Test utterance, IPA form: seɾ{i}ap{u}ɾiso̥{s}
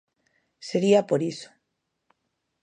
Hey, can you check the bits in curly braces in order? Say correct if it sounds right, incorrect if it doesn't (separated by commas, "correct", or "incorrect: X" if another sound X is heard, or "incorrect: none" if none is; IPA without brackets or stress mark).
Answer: correct, incorrect: o, incorrect: none